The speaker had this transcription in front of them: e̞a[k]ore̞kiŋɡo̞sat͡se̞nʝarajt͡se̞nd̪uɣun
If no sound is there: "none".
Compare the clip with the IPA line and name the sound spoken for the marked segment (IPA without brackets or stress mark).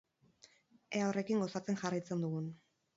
none